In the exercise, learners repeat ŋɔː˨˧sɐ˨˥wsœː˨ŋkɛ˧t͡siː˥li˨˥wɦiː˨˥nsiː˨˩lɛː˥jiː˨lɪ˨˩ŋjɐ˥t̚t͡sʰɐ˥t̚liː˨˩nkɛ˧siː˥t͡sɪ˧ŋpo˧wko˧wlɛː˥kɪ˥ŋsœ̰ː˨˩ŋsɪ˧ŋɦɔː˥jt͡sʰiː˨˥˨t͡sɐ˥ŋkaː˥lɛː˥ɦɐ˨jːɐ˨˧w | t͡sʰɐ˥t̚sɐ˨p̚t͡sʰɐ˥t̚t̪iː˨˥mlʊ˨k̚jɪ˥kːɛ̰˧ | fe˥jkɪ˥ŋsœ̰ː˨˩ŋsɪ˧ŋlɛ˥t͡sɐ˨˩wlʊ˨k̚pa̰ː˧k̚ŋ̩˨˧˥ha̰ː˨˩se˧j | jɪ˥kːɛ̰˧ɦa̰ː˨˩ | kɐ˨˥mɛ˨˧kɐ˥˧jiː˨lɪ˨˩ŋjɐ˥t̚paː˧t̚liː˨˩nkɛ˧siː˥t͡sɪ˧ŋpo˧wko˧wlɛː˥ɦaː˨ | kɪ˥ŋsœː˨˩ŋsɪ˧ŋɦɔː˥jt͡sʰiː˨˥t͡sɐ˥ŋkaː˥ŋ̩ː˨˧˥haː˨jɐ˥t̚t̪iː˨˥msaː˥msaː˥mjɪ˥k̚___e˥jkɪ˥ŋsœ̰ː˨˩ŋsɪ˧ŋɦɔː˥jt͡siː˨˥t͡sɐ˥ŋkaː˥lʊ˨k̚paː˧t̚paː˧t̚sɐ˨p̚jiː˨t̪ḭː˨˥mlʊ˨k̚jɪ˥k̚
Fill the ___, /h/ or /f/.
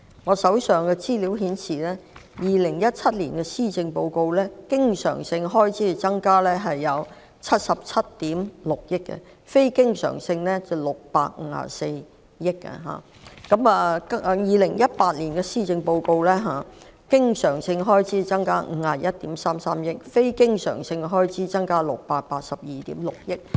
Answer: f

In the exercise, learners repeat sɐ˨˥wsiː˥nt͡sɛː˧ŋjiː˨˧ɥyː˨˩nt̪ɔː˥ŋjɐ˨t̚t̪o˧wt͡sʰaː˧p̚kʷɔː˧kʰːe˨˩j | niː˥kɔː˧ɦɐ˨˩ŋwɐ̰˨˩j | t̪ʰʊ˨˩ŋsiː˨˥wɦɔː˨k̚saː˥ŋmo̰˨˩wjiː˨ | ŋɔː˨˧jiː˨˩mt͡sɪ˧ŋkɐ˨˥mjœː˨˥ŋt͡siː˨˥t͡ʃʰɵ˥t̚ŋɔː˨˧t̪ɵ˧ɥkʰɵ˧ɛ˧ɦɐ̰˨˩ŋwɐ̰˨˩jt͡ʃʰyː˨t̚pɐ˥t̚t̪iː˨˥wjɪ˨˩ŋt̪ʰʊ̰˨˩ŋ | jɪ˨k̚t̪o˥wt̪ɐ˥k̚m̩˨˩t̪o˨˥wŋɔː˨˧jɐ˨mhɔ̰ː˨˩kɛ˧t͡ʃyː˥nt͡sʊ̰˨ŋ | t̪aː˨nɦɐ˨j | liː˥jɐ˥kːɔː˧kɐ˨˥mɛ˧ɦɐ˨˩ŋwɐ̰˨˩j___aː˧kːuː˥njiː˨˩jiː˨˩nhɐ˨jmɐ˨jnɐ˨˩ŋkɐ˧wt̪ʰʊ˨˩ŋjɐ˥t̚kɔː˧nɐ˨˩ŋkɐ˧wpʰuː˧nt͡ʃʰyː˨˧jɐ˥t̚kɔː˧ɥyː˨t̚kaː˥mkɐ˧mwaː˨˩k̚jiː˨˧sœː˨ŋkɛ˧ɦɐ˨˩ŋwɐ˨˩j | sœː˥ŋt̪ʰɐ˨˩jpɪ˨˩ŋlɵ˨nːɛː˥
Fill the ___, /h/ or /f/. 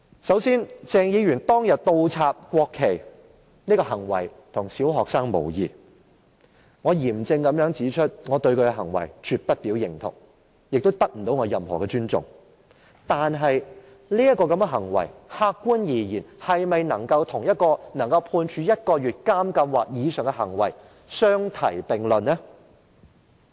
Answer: h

